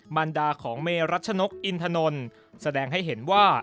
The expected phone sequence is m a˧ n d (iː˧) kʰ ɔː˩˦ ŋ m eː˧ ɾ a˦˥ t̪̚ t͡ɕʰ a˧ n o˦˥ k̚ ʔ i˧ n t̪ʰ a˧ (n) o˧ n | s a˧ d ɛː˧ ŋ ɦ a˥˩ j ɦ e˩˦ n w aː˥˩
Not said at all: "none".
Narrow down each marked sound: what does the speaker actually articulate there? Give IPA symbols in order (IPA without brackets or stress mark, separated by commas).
aː˧, n